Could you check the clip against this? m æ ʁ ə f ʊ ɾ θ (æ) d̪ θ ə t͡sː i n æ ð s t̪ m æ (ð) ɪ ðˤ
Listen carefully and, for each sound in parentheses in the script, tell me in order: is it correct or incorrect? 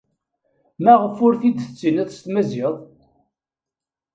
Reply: incorrect: i, incorrect: z

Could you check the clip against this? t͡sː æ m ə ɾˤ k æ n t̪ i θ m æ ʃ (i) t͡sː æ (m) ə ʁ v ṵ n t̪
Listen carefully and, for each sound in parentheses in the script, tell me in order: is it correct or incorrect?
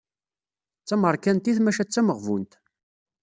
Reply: incorrect: æ, correct

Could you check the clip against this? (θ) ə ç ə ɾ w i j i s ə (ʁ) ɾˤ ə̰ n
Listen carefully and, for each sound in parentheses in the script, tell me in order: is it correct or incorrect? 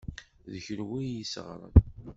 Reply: incorrect: ð, correct

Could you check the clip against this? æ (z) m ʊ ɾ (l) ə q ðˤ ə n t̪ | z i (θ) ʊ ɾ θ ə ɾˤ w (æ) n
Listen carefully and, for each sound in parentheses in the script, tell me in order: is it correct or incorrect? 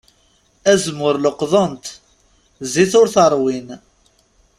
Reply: correct, correct, correct, incorrect: i

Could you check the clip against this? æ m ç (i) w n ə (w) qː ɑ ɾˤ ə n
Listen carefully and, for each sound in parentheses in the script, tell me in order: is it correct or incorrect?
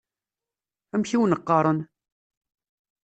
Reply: correct, incorrect: none

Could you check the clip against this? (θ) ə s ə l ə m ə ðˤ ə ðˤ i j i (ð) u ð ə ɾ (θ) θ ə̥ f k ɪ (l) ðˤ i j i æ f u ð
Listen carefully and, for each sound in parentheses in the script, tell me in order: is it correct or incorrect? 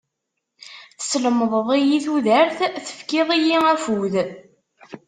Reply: correct, incorrect: θ, correct, incorrect: none

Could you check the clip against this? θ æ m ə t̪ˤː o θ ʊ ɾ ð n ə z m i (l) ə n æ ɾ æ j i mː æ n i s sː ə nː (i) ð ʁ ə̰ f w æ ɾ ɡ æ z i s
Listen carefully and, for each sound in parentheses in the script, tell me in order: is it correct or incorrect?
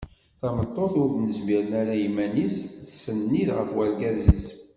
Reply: incorrect: ɾ, correct

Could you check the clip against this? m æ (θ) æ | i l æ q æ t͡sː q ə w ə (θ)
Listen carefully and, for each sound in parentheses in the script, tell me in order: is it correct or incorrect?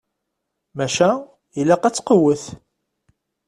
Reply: incorrect: ʃ, correct

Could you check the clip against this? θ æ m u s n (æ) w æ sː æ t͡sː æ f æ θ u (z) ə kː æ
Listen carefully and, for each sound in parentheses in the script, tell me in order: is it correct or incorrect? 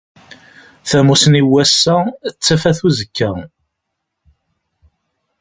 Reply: incorrect: i, correct

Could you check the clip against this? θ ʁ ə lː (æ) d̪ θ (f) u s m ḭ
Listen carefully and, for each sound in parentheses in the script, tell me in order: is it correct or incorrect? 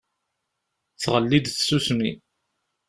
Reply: incorrect: i, incorrect: s

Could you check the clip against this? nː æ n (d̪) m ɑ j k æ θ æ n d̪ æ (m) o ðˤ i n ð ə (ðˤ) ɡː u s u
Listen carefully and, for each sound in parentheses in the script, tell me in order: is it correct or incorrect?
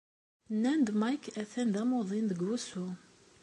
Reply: correct, correct, incorrect: none

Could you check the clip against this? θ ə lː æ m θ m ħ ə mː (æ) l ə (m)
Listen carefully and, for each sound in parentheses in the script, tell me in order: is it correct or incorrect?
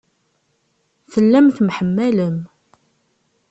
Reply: correct, correct

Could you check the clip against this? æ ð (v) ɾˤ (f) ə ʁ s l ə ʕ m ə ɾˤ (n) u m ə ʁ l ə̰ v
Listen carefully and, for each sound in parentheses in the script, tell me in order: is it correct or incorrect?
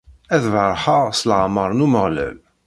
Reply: correct, incorrect: ħ, correct

